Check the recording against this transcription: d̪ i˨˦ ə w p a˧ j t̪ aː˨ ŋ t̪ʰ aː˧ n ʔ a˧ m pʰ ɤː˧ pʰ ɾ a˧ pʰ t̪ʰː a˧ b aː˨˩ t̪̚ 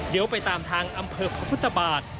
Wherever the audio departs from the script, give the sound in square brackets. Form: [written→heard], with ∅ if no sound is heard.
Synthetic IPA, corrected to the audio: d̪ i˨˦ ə w p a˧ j t̪ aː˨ [ŋ→m] t̪ʰ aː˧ [n→ŋ] ʔ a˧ m pʰ ɤː˧ pʰ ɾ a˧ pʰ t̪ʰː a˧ b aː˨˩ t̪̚

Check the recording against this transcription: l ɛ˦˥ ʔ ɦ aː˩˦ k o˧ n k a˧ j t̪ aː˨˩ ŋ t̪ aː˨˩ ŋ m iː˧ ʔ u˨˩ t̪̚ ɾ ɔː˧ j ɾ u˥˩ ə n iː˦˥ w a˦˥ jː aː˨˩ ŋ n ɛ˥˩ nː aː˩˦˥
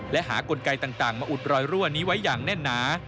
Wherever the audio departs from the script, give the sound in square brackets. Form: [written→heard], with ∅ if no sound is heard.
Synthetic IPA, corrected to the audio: l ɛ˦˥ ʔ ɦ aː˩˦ k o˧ n k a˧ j t̪ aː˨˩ ŋ t̪ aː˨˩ ŋ m [iː˧→aː˧] ʔ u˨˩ t̪̚ ɾ ɔː˧ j ɾ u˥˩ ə n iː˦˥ w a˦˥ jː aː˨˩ ŋ n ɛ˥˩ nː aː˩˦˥

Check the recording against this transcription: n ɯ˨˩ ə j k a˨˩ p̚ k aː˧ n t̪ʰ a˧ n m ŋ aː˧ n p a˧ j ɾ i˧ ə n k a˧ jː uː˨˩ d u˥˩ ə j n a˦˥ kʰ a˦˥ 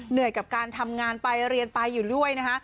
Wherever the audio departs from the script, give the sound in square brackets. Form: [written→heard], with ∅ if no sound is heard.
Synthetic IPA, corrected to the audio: n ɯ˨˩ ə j k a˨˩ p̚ k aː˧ n t̪ʰ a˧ [n→∅] m ŋ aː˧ n p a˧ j ɾ i˧ ə n [k→p] a˧ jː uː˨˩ d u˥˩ ə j n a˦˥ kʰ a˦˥

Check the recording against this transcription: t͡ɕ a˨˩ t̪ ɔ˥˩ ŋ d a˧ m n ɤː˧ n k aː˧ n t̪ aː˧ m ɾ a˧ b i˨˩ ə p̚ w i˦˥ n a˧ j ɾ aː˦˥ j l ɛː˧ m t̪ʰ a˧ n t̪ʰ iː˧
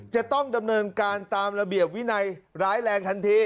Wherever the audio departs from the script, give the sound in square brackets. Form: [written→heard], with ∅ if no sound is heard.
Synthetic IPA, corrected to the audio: t͡ɕ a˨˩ t̪ ɔ˥˩ ŋ d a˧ m n ɤː˧ n k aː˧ n t̪ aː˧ m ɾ a˧ b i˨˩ ə p̚ w i˦˥ n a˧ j ɾ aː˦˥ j l ɛː˧ [m→ŋ] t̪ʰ a˧ n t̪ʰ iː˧

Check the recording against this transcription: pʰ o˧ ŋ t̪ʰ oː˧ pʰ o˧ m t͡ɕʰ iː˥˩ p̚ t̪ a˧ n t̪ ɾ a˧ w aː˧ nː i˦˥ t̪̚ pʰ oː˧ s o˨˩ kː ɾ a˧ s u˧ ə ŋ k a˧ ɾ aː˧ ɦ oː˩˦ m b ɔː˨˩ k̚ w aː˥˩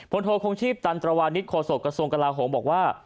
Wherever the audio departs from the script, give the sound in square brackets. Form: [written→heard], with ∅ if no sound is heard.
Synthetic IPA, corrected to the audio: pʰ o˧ [ŋ→n] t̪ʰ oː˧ [pʰ→kʰ] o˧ [m→ŋ] t͡ɕʰ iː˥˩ p̚ t̪ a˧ n t̪ ɾ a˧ w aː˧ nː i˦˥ t̪̚ [pʰ→kʰ] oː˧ s o˨˩ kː ɾ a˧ s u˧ ə ŋ k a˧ [ɾ→l] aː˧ ɦ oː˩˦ m b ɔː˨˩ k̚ w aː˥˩

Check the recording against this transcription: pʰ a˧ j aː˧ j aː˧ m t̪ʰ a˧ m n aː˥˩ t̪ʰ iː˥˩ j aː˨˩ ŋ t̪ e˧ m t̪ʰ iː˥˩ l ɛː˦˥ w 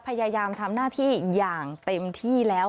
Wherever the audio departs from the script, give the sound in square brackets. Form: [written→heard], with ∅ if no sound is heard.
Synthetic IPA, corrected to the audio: pʰ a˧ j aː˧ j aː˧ m t̪ʰ a˧ m n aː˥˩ t̪ʰ iː˥˩ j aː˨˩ ŋ t̪ e˧ m t̪ʰ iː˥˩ l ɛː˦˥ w

